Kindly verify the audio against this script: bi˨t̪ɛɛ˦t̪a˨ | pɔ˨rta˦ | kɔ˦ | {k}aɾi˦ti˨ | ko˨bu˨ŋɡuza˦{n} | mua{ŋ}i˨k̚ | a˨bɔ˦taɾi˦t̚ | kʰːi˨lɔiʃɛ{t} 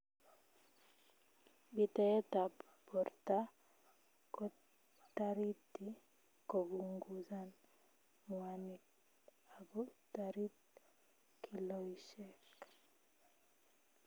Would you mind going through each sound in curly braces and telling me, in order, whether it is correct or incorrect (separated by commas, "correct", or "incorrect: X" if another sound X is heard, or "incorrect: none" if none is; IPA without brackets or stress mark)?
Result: incorrect: t, correct, incorrect: n, incorrect: k